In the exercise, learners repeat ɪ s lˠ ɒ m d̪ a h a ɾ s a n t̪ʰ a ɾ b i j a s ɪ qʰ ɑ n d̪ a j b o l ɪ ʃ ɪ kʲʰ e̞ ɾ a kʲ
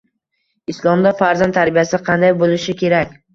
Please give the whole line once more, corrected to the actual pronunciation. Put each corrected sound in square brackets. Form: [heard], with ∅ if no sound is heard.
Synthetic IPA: ɪ s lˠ ɒ m d̪ a [f] a ɾ [z] a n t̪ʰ a ɾ b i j a s ɪ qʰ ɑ n d̪ a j b o l ɪ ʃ ɪ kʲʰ e̞ ɾ a kʲ

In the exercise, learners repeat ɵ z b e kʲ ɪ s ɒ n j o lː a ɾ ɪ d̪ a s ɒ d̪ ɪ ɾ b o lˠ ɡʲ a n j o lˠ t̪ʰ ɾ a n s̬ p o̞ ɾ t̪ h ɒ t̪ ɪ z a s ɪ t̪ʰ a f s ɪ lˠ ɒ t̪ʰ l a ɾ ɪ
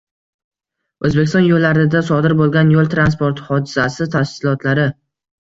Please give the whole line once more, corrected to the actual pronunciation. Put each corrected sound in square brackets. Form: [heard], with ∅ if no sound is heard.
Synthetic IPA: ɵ z b e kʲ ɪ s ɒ n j o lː a ɾ ɪ d̪ a s ɒ d̪ ɪ ɾ b o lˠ ɡʲ a n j o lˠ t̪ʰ ɾ a n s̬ p o̞ ɾ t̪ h ɒ [d̪] ɪ z a s ɪ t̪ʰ a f s ɪ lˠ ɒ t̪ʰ l a ɾ ɪ

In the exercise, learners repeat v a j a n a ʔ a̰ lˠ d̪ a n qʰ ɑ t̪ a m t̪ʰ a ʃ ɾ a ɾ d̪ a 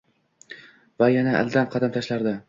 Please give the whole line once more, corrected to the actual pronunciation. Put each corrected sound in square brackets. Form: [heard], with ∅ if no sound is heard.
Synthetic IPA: v a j a n a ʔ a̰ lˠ d̪ a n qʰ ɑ [d̪] a m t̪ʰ a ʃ [l] a ɾ d̪ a

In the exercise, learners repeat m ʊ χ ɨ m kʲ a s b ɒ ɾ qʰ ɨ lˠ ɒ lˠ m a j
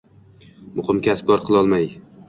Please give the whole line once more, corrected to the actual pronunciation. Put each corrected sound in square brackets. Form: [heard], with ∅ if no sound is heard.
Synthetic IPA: m ʊ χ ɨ m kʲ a s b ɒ ɾ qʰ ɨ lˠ ɒ lˠ m a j

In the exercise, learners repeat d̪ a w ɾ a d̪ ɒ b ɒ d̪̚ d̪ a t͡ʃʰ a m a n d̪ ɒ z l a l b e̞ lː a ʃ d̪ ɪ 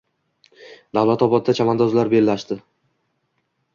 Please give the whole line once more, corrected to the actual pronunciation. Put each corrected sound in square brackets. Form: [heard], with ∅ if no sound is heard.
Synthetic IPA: d̪ a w [l] a [t̪] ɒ b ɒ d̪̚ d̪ a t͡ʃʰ a m a n d̪ ɒ z l a [ɾ] b e̞ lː a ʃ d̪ ɪ

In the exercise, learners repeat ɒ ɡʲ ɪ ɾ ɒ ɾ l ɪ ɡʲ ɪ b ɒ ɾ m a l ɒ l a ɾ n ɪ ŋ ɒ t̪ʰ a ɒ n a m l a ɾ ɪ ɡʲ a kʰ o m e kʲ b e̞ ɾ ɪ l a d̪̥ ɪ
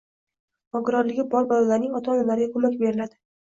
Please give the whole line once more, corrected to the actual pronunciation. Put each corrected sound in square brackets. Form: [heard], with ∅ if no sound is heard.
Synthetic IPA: ɒ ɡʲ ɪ ɾ ɒ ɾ l ɪ ɡʲ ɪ b ɒ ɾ [b] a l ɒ l a ɾ n ɪ ŋ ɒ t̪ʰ a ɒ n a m l a ɾ ɪ ɡʲ a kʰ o m [a] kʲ b e̞ ɾ ɪ l a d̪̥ ɪ

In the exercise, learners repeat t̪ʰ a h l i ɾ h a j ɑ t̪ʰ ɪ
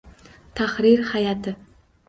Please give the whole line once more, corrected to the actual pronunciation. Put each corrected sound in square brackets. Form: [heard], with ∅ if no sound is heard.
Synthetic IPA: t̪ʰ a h [ɾ] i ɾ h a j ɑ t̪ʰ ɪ

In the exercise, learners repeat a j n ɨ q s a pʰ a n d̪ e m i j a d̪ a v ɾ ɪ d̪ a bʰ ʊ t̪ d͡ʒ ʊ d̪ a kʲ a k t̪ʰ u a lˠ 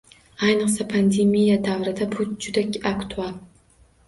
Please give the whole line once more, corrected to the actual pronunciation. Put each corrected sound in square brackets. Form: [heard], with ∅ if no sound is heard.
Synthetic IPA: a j n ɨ q s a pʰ a n d̪ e m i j a d̪ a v ɾ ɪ d̪ a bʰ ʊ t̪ d͡ʒ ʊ d̪ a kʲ a k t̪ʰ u a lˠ

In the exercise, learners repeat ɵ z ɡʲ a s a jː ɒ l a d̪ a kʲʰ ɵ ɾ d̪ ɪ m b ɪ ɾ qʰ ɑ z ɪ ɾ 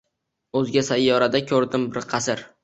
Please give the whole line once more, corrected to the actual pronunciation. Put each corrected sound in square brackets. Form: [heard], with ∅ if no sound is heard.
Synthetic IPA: ɵ z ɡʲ a s a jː ɒ [ɾ] a d̪ a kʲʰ ɵ ɾ d̪ ɪ m b ɪ ɾ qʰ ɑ [s] ɪ ɾ

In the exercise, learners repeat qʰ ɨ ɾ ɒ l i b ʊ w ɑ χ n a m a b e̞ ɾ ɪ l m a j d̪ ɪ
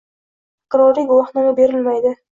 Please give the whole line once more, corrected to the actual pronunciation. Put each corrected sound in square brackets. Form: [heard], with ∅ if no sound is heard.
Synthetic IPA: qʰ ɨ ɾ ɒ [ɾ] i [ɡ] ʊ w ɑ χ n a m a b e̞ ɾ ɪ l m a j d̪ ɪ

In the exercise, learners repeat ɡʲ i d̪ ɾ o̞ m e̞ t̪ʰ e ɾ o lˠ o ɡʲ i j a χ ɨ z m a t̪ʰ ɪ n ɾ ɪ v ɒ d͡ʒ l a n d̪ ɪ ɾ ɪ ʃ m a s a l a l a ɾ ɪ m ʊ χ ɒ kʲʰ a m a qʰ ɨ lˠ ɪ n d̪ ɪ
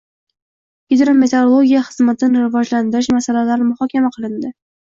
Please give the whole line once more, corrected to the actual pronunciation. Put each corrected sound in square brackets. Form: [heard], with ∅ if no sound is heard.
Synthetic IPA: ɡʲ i d̪ ɾ o̞ m e̞ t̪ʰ e ɾ o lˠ o ɡʲ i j a χ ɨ z m a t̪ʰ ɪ n ɾ ɪ v ɒ d͡ʒ l a n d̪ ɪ ɾ ɪ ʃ m a s a l a l a ɾ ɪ m ʊ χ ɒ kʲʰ a m a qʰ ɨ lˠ ɪ n d̪ ɪ

